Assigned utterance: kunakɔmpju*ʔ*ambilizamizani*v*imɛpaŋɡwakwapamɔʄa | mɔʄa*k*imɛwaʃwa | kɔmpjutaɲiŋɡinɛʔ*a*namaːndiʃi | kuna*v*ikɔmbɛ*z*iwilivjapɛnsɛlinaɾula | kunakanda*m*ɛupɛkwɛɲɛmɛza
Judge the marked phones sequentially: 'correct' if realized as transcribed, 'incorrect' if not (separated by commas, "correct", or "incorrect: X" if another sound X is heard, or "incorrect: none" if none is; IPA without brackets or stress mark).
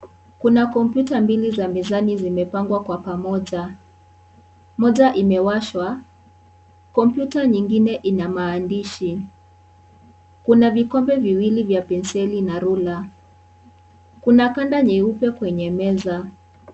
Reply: incorrect: t, incorrect: z, incorrect: ʔ, incorrect: i, correct, incorrect: v, incorrect: ɲ